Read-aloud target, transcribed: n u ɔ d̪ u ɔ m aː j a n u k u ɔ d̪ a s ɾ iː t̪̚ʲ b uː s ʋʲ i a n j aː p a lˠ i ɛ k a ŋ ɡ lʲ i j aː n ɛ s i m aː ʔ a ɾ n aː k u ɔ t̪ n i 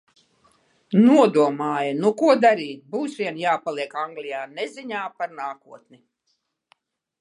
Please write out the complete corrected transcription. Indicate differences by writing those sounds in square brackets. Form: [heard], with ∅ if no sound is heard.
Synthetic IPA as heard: n u ɔ d̪ u ɔ m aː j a n u k u ɔ d̪ a [∅] ɾ iː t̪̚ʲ b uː s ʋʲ i [ɛ] n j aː p a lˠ i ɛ k a ŋ ɡ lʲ i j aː n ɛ [z] i [ɲ] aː [p] a ɾ n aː k u ɔ t̪ n i